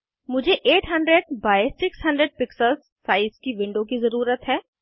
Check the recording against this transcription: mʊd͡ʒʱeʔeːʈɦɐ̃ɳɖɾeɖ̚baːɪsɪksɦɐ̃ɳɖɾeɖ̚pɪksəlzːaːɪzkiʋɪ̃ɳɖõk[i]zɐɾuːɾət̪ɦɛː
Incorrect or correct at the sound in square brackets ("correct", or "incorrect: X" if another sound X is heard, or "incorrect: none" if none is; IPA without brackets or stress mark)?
correct